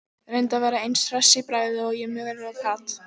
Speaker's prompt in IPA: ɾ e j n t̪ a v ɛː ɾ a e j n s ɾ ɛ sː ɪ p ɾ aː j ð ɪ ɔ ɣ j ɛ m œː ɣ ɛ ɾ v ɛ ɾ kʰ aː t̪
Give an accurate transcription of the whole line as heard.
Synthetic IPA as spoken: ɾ e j n t̪ a v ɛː ɾ a e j n s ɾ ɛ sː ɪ p ɾ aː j ð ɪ ɔ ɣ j ɛ m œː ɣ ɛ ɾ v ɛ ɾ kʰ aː t̪